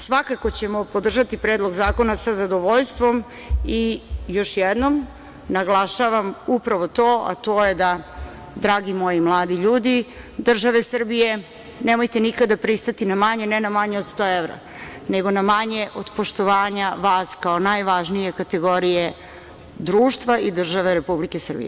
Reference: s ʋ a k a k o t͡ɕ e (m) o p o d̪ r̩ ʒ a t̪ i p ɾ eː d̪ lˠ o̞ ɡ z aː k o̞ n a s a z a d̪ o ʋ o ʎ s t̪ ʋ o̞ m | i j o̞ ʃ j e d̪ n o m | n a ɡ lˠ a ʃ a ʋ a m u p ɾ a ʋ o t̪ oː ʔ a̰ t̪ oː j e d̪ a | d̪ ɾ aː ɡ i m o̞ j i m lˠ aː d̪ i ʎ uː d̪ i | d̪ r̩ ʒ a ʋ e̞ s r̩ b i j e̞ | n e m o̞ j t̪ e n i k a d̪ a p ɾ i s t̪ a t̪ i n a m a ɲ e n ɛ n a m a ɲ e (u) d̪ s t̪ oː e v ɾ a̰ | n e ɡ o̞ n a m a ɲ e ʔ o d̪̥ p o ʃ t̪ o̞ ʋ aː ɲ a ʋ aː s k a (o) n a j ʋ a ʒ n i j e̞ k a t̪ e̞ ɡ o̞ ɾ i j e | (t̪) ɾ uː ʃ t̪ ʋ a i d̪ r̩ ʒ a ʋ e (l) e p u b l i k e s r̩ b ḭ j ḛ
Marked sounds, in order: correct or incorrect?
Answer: correct, incorrect: o, correct, incorrect: d̪, incorrect: ɾ

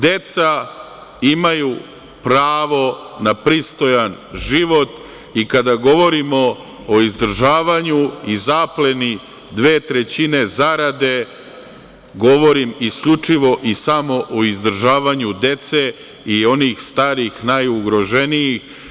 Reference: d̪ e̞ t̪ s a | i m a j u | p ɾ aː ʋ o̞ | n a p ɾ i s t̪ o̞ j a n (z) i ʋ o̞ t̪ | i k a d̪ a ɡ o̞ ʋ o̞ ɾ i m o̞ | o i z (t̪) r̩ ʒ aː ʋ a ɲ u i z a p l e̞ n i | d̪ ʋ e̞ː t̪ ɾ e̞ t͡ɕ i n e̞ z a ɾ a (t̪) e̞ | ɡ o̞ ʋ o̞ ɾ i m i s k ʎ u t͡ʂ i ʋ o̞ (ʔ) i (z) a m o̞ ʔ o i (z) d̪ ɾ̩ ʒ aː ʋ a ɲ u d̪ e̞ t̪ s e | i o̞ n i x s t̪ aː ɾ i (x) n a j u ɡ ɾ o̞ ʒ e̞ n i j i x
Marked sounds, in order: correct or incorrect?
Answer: incorrect: ʒ, incorrect: d̪, incorrect: d̪, correct, incorrect: s, correct, correct

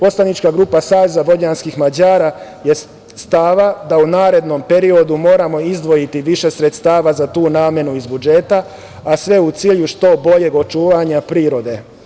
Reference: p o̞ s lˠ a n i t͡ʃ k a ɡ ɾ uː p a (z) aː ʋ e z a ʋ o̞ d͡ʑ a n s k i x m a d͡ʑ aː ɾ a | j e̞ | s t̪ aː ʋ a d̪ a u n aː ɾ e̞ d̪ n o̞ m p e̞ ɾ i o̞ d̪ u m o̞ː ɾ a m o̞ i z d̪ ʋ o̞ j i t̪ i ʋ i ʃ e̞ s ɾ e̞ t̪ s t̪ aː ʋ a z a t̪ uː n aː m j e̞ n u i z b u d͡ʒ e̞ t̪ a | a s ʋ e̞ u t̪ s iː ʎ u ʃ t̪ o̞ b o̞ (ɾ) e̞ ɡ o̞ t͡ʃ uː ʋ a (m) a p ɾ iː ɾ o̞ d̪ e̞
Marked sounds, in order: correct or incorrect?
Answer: incorrect: s, incorrect: ʎ, incorrect: ɲ

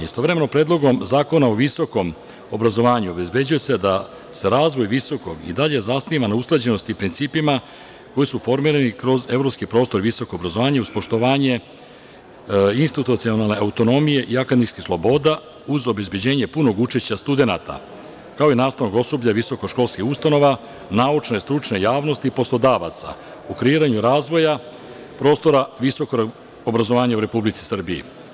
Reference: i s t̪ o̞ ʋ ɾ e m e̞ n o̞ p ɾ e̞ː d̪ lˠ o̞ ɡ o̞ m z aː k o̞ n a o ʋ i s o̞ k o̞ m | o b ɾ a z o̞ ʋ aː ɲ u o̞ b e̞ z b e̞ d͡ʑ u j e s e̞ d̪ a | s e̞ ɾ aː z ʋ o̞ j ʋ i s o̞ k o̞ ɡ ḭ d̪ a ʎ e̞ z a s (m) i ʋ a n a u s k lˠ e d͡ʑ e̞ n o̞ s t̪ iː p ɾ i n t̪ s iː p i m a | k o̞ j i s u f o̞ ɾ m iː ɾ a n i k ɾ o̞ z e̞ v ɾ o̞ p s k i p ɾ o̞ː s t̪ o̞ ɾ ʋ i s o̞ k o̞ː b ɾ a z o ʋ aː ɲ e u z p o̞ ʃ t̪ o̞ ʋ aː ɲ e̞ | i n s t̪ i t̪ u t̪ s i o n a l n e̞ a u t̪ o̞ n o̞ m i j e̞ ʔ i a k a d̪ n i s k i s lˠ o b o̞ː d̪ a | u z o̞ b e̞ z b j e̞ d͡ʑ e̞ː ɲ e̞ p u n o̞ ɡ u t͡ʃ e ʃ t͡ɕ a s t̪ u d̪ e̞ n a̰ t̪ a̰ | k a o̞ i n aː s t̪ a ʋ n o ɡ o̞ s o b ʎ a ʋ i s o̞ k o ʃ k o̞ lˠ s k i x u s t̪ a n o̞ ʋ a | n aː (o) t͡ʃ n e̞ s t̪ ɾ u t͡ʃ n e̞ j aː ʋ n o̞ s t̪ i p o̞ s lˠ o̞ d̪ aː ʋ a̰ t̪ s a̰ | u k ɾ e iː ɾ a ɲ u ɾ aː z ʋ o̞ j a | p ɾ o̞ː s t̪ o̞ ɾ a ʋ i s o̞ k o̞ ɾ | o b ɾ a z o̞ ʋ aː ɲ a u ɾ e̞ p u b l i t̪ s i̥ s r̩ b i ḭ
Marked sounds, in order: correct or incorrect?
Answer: incorrect: n, incorrect: u

